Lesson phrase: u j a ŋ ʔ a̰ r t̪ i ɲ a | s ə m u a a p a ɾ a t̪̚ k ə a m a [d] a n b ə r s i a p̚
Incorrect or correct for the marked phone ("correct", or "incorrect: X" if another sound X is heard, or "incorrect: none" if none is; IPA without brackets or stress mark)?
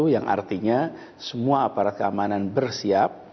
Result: incorrect: n